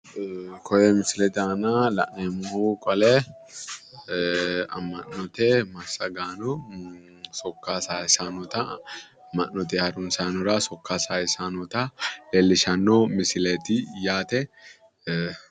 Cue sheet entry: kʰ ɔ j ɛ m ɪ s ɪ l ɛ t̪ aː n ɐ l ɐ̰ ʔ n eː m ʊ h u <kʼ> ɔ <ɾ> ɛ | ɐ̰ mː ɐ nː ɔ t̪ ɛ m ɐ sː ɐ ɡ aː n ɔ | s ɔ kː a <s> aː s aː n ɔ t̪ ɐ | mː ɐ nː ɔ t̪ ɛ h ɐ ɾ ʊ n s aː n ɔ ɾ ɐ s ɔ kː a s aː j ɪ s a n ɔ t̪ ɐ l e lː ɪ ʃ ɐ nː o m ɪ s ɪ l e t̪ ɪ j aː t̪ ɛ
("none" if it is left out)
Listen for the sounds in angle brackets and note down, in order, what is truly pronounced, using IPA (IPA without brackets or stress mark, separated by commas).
kʼ, l, s